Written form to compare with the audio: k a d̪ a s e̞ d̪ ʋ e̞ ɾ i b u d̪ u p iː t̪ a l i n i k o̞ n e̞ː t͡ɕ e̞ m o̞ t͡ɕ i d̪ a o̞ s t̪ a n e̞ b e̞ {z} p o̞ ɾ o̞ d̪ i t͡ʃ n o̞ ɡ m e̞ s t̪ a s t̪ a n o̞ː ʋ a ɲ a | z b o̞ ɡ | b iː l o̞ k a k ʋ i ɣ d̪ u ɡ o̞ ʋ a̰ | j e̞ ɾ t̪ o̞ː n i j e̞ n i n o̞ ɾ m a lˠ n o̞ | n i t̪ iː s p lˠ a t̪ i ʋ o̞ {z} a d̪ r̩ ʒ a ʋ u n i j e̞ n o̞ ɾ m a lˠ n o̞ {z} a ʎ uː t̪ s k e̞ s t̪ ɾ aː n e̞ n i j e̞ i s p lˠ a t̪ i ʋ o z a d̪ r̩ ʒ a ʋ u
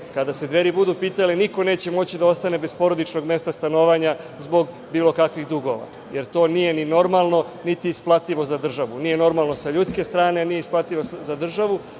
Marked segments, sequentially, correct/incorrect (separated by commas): incorrect, correct, incorrect